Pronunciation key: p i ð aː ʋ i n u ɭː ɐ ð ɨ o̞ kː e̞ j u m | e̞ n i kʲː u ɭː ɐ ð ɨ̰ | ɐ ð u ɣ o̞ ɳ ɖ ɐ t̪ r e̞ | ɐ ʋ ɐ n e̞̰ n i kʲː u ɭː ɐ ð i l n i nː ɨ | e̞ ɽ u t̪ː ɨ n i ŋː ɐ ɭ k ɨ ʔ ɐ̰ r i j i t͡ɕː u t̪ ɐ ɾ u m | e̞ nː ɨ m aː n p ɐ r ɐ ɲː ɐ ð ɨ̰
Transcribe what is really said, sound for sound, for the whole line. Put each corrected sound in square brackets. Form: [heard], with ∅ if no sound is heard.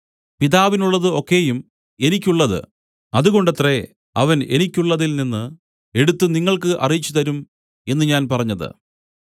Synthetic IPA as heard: p i ð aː ʋ i n u ɭː ɐ ð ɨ o̞ kː e̞ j u m | e̞ n i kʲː u ɭː ɐ ð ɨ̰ | ɐ ð u ɣ o̞ ɳ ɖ ɐ t̪ r e̞ | ɐ ʋ ɐ n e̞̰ n i kʲː u ɭː ɐ ð i l n i nː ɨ | e̞ ɽ u t̪ː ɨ n i ŋː ɐ ɭ k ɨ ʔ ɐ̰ r i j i t͡ɕː u t̪ ɐ ɾ u m | e̞ nː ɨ [ɲ] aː n p ɐ r ɐ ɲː ɐ ð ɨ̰